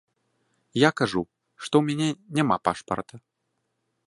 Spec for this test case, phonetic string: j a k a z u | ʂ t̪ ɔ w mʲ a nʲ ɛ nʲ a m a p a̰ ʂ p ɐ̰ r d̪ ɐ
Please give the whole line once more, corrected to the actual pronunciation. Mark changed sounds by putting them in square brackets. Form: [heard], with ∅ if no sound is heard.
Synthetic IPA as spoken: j a k a [ʐ] u | ʂ t̪ ɔ w mʲ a nʲ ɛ nʲ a m a p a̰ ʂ p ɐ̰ r [t̪] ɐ